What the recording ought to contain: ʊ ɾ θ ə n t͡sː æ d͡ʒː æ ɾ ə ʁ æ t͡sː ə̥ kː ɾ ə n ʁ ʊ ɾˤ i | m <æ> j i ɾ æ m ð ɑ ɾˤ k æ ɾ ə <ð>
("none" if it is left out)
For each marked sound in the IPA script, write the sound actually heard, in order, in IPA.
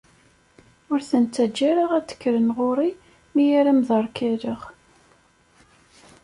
i, ʁ

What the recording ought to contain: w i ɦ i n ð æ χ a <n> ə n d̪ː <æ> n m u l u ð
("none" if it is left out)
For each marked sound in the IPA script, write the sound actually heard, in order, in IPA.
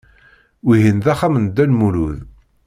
m, æ

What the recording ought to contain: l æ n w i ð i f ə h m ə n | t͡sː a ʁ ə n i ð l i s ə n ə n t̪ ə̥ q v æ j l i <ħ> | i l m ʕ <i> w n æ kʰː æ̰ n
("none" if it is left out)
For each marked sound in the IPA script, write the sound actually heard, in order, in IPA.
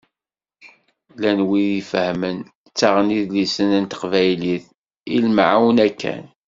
θ, a

